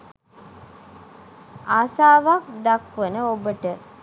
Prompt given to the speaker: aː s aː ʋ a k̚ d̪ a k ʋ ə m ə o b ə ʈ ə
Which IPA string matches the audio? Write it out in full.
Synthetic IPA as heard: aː s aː ʋ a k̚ d̪ a k ʋ ə n ə o b ə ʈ ə